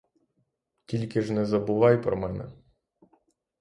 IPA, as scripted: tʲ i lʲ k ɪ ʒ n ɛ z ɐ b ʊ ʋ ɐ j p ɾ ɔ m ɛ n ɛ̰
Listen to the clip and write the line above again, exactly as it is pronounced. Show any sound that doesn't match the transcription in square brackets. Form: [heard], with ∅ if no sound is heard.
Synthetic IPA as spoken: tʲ i lʲ k ɪ ʒ n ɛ z ɐ b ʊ ʋ [ɑ] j p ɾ ɔ m ɛ n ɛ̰